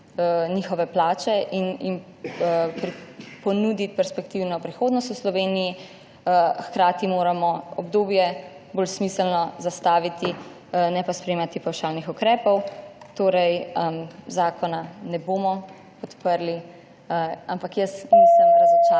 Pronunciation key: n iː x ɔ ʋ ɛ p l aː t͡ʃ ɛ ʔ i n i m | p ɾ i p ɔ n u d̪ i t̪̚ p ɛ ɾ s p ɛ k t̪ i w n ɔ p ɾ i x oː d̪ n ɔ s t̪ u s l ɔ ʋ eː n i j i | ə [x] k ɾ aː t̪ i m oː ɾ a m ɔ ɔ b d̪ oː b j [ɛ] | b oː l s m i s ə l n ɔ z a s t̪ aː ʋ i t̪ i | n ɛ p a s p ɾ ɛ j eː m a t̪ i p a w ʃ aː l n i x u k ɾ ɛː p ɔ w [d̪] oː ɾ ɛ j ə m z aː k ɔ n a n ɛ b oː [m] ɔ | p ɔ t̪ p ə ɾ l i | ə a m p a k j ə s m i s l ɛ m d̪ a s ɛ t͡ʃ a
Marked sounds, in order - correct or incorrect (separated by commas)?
correct, correct, incorrect, correct